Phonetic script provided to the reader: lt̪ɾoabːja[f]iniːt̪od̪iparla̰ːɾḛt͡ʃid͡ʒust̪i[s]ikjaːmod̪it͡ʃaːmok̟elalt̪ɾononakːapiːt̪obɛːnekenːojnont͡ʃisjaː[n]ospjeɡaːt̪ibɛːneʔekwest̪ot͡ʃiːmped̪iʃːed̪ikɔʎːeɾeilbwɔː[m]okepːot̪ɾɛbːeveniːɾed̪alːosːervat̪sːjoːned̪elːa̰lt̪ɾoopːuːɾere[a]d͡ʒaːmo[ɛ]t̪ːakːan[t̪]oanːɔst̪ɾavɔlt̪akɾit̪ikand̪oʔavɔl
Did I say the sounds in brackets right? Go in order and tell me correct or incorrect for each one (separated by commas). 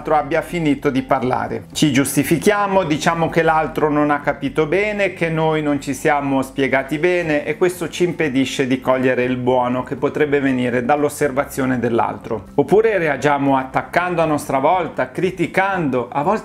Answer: correct, incorrect, incorrect, incorrect, correct, incorrect, incorrect